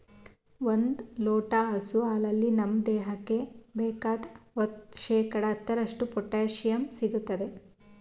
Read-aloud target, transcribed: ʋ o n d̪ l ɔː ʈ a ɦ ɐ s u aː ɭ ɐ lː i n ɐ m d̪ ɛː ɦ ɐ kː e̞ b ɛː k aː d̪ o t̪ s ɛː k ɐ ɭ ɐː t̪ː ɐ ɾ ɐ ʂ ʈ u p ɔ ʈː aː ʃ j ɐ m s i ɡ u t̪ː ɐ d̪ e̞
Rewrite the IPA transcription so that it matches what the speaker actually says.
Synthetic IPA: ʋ o n d̪ l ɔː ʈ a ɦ ɐ s u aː l ɐ lː i n ɐ m d̪ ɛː ɦ ɐ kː e̞ b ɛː k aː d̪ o t̪ ʃ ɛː k ɐ ɽ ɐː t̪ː ɐ ɾ ɐ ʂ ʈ u p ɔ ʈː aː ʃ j ɐ m s i ɡ u t̪ː ɐ d̪ e̞